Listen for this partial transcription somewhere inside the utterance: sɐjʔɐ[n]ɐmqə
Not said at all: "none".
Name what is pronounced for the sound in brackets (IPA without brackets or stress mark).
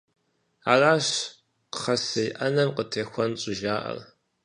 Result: n